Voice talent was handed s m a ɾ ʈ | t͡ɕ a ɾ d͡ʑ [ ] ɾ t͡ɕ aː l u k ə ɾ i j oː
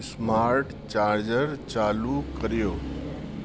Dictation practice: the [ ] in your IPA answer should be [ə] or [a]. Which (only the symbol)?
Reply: ə